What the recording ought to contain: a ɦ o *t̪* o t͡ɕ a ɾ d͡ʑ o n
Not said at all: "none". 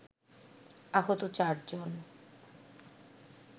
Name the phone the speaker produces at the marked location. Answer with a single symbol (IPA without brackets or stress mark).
t̪